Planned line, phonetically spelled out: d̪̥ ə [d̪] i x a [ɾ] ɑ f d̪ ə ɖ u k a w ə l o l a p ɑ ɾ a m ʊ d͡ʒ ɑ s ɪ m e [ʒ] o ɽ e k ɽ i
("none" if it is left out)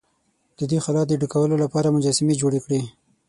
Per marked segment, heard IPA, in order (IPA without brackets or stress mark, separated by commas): d̪, l, d͡ʒ